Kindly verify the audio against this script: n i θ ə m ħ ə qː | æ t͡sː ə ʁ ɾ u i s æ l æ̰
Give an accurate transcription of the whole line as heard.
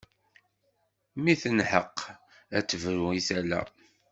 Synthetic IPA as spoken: m i θ ə n ħ ə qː | æ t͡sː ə v ɾ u i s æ l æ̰